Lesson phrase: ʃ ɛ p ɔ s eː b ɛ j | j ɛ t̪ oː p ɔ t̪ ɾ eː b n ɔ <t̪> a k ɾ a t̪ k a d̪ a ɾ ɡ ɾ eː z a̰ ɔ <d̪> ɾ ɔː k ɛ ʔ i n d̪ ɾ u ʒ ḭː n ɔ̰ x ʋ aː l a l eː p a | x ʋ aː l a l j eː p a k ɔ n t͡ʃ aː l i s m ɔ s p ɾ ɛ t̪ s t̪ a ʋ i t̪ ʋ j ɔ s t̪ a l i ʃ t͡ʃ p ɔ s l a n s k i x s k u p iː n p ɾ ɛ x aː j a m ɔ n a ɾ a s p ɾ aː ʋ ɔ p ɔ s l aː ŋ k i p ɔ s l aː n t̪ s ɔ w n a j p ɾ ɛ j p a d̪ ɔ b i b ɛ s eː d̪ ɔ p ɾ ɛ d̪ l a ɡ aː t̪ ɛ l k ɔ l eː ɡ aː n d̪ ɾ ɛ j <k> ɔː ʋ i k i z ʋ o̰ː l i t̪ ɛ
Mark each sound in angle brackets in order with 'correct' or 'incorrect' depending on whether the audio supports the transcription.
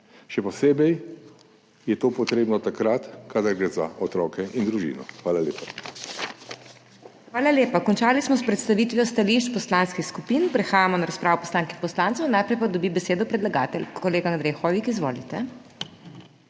correct, incorrect: t̪, incorrect: x

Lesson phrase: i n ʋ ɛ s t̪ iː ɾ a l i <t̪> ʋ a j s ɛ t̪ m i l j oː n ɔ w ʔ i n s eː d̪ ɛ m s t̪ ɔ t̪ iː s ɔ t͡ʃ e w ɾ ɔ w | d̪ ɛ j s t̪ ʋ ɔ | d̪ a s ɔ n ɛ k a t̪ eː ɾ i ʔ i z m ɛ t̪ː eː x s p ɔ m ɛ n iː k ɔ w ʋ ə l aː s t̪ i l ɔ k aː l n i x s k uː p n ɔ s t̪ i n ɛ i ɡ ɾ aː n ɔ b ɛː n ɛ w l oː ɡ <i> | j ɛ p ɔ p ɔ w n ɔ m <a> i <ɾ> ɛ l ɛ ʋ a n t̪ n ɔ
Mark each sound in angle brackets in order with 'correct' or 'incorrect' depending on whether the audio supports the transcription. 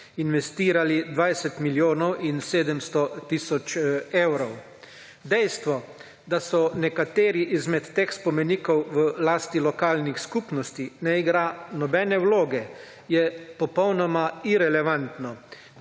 incorrect: d̪, incorrect: ɛ, correct, correct

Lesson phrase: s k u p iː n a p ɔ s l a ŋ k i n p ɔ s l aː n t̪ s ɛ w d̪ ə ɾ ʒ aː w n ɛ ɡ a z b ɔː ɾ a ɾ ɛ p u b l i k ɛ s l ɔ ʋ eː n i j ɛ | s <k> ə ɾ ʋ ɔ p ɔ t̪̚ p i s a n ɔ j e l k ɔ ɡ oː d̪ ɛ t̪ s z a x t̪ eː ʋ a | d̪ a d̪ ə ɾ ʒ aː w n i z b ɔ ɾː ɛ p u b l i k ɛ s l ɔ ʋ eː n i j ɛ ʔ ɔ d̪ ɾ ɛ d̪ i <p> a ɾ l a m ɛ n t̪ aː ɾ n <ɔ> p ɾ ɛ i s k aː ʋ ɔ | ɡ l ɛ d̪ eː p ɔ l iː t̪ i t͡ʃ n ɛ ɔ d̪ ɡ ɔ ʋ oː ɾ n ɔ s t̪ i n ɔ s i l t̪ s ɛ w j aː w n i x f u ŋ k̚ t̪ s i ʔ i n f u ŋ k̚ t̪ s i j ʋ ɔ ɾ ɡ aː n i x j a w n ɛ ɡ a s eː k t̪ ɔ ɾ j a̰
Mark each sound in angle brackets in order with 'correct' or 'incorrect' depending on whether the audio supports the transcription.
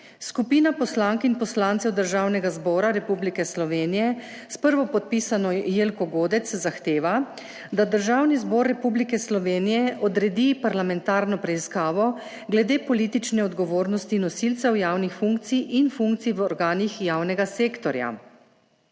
incorrect: p, correct, correct

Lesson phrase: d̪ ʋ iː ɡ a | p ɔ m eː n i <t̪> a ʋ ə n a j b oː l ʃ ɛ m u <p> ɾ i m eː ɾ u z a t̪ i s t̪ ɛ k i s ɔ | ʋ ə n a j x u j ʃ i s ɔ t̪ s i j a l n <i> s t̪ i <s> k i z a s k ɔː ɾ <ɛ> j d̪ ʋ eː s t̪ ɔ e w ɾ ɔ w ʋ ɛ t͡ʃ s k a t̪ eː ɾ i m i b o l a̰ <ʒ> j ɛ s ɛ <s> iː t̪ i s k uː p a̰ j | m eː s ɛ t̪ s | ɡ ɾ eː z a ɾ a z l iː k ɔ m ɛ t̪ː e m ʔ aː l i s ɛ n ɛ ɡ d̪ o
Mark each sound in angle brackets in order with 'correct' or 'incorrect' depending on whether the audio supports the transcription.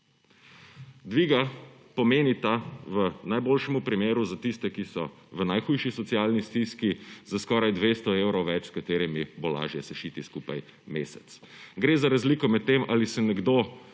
correct, correct, correct, correct, incorrect: a, correct, incorrect: ʃ

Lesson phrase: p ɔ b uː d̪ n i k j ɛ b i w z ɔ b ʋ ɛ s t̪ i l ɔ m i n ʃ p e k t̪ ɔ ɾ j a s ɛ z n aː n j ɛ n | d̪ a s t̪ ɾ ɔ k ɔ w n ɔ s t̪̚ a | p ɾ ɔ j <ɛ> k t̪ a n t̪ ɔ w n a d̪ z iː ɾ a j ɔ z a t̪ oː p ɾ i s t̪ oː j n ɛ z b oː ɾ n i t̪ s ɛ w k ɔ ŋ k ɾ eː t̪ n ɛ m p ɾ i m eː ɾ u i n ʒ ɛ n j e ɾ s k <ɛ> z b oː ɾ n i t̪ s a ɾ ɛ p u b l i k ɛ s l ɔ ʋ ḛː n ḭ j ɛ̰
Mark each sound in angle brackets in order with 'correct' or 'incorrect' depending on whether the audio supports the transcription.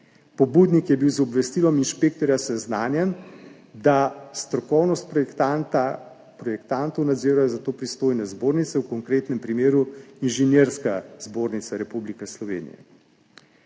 correct, incorrect: a

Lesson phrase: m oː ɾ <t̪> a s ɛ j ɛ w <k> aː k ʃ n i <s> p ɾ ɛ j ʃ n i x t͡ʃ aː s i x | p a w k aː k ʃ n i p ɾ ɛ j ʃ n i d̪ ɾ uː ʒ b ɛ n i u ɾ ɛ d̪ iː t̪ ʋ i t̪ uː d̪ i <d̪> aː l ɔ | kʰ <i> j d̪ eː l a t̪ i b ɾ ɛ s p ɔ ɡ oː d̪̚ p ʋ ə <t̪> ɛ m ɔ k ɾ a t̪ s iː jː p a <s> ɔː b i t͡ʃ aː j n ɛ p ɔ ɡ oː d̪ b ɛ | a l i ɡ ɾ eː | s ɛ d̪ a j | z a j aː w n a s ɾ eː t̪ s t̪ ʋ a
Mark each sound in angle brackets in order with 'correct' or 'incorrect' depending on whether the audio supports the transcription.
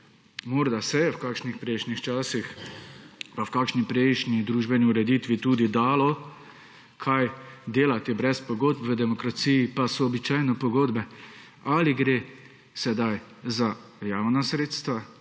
incorrect: d̪, correct, incorrect: x, correct, incorrect: a, incorrect: d̪, correct

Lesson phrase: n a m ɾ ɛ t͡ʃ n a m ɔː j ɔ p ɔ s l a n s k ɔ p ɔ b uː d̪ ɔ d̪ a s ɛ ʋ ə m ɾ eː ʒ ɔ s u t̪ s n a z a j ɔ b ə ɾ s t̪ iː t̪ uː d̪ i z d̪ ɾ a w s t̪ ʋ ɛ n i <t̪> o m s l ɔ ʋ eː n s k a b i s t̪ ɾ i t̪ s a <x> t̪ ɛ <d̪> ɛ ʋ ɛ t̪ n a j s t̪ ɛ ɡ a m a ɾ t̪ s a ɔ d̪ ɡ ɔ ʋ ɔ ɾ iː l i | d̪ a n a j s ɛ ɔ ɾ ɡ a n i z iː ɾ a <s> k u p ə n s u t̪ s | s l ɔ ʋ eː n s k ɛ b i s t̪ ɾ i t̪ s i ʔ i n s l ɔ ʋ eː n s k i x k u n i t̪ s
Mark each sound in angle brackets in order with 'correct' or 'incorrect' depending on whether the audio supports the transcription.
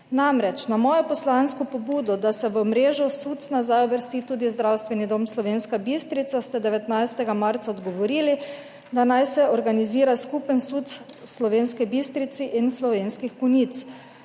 incorrect: d̪, incorrect: s, correct, correct

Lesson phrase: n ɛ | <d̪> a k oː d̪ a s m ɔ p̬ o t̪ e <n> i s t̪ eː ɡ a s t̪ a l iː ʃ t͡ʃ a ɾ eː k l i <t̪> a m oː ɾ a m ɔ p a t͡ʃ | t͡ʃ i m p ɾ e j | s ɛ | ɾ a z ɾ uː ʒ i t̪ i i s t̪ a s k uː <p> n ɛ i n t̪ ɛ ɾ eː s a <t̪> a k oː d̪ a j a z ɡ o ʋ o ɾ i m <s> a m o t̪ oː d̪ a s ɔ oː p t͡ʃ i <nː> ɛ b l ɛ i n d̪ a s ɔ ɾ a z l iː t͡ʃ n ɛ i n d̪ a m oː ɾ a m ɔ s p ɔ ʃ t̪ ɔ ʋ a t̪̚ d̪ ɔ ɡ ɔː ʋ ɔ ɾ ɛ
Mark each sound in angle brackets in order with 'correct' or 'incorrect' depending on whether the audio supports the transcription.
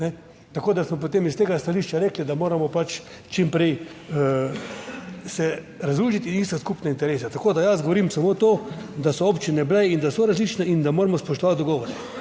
incorrect: t̪, incorrect: m, incorrect: d̪, correct, correct, correct, incorrect: n

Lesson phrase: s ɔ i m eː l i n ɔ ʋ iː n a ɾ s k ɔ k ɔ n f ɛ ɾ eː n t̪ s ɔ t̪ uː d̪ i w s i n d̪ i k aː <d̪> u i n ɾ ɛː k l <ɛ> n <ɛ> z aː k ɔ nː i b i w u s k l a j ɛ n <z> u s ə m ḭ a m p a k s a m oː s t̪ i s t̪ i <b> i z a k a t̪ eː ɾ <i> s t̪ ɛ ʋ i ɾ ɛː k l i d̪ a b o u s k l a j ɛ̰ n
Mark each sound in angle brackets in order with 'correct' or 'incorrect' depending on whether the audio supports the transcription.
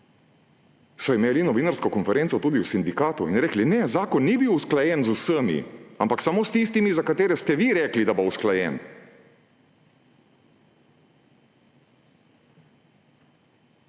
incorrect: t̪, incorrect: i, correct, correct, incorrect: m, incorrect: ɛ

